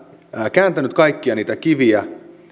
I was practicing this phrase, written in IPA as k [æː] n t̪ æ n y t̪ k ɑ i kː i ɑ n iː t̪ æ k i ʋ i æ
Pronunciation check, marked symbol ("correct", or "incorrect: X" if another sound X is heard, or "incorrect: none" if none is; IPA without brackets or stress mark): correct